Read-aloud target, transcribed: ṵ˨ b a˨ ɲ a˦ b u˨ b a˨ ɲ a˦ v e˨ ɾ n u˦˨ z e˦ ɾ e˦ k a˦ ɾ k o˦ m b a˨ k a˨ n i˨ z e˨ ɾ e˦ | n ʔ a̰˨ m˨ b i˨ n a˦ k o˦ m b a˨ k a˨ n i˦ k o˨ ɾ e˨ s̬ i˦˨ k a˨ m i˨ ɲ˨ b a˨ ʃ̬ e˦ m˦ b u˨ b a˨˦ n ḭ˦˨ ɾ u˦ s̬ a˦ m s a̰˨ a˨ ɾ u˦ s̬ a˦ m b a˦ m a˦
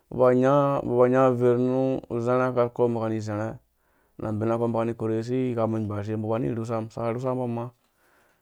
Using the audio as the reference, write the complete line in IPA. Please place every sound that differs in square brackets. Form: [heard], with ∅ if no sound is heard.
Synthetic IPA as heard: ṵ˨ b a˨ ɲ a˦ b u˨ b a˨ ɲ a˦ v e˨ ɾ n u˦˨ z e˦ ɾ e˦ k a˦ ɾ k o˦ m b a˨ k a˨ n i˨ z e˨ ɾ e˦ | n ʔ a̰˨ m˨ b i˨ n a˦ k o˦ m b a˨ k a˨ n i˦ k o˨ ɾ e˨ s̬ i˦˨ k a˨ m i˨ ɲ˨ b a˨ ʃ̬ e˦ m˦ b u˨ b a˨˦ n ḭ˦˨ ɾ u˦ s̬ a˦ m s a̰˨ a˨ ɾ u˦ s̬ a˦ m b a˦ m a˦